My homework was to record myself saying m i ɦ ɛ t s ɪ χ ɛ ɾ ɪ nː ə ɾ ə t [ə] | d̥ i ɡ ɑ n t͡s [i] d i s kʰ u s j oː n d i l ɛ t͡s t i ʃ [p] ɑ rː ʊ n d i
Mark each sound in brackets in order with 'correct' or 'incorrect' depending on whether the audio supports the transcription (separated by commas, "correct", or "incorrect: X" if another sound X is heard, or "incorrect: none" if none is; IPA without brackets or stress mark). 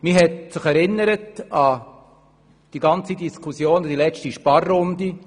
incorrect: ɑ, correct, correct